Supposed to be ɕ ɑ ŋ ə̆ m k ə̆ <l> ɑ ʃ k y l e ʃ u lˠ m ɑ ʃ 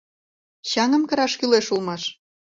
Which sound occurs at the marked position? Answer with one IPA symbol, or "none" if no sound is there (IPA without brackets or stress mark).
ɾ